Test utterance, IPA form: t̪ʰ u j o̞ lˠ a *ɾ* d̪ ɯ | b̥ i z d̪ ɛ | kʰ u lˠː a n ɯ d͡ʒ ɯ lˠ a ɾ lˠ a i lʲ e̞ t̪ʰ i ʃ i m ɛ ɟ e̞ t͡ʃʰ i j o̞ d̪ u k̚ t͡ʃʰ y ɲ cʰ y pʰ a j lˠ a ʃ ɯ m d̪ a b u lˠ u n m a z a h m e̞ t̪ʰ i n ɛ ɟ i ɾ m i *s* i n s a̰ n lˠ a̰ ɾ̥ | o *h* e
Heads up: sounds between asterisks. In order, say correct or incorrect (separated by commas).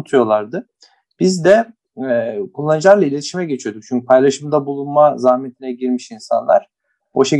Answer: correct, incorrect, incorrect